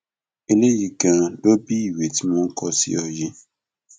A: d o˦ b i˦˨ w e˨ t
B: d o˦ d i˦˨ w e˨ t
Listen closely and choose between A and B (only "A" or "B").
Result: A